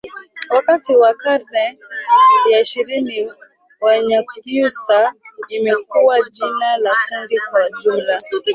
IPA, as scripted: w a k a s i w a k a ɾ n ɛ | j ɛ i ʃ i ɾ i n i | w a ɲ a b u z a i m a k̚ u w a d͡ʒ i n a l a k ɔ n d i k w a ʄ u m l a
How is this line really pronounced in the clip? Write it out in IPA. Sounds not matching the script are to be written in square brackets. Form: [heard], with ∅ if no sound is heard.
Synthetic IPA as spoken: w a k a [t] i w a k a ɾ n ɛ | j [a] i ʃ i ɾ i n i | w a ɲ a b u [s] a i m [ɛ] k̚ u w a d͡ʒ i n a l a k [u] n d i k w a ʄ u m l a